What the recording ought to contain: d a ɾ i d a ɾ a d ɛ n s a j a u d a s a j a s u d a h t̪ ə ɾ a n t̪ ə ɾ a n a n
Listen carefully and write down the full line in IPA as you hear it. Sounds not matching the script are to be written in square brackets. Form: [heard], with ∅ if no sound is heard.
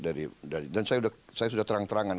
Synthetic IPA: d a ɾ i d a ɾ [i] d [a] n s a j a u d a s a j a s u d a h t̪ ə ɾ a [ŋ] t̪ ə ɾ a [ŋ] a n

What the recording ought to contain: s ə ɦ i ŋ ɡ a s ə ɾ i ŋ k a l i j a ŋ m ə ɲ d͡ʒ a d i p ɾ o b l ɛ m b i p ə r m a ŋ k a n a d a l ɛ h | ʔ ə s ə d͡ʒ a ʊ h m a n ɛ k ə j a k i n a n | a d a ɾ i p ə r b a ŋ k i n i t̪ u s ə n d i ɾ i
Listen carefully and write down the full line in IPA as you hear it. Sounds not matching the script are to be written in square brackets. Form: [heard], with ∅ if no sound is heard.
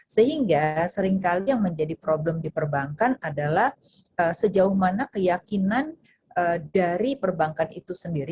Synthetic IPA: s ə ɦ i ŋ ɡ a s ə ɾ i ŋ k a l i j a ŋ m ə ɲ d͡ʒ a d i p ɾ o b l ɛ m [d] i p ə r [b] a ŋ k a n a d a l [a] h | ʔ ə s ə d͡ʒ a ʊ h m a n [a] k ə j a k i n a n | [ə] d a ɾ i p ə r b a ŋ k [a] n i t̪ u s ə n d i ɾ i

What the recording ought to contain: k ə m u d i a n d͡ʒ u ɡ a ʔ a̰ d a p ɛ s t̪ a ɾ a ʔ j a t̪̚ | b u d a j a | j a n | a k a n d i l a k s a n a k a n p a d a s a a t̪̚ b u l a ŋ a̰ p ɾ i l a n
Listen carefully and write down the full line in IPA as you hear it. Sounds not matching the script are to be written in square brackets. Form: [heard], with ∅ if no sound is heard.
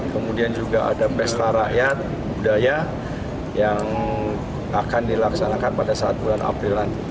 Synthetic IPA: k ə m u d i a n d͡ʒ u ɡ a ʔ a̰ d a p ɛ s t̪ a ɾ a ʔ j a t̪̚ | b u d a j a | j a [ŋ] | a k a n d i l a k s a n a k a n p a d a s a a t̪̚ b u l a [n] a̰ p ɾ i l a n

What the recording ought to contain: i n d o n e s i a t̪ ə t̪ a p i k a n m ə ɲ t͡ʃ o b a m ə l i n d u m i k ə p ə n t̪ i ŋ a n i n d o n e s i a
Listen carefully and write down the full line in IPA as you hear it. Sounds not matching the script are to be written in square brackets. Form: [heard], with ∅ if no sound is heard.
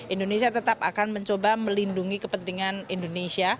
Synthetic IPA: i n d o n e s i a t̪ ə t̪ a p [a] k a n m ə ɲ t͡ʃ o b a m ə l i n d u [ŋ] i k ə p ə n t̪ i ŋ a n i n d o n e s i a

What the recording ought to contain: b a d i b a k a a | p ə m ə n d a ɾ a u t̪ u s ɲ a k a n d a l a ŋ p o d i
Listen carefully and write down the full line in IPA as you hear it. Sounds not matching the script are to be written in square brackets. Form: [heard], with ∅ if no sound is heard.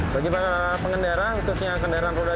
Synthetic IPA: b a [ɡ] i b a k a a | p ə [ŋ] ə n d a ɾ a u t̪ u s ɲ a k [ə] n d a [ɾ] a [n] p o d [a]

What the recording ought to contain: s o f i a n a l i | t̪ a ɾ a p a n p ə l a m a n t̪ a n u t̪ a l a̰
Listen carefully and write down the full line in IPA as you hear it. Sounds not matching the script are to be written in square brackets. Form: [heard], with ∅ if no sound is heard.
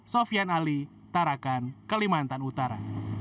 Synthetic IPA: s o f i a n a l i | t̪ a ɾ a [k] a n [k] ə l [i] m a n t̪ a n u t̪ a [ɾ] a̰

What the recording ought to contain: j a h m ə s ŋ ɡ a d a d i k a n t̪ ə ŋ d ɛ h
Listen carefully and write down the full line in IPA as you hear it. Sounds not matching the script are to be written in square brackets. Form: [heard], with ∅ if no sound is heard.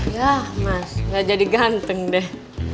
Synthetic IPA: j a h m [a] s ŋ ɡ a [d͡ʒ] a d i [ɡ] a n t̪ ə ŋ d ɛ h

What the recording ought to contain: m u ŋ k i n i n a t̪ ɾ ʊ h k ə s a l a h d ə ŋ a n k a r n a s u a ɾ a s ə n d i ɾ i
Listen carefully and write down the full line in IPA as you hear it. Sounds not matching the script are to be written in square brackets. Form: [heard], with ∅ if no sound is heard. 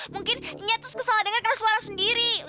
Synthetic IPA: m u ŋ k [ɪ] n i [ɲ] a t̪ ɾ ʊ [s] k ə s a l a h d ə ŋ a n k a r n a s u a ɾ a s ə n d i ɾ i

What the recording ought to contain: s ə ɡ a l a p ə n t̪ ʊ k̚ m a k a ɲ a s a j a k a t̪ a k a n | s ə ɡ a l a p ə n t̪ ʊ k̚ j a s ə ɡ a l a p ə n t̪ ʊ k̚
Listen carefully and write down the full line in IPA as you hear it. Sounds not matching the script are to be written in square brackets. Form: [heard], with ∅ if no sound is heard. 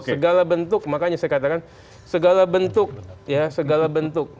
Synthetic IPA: s ə ɡ a l a [b] ə n t̪ ʊ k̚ m a k a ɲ a s a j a k a t̪ a k a n | s ə ɡ a l a [b] ə n t̪ ʊ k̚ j a s ə ɡ a l a [b] ə n t̪ ʊ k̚

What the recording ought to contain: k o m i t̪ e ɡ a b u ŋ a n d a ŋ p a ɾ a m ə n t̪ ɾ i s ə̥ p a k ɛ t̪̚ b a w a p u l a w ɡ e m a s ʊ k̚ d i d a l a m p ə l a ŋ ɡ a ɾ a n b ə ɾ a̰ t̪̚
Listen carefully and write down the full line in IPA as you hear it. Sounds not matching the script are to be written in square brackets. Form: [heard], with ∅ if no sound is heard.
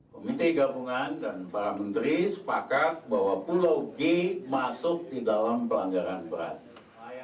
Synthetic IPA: k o m i t̪ e ɡ a b u ŋ a n d a [n] p a ɾ a m ə n t̪ ɾ i s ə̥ p a k [a] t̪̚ b a w a p u l a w ɡ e m a s ʊ k̚ d i d a l a m p ə l a ŋ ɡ a ɾ a n b ə ɾ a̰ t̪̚

